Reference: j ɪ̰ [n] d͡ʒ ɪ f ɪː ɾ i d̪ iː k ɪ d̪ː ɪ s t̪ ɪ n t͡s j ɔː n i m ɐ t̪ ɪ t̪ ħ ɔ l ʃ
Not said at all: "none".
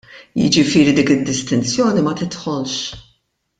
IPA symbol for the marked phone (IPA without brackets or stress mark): none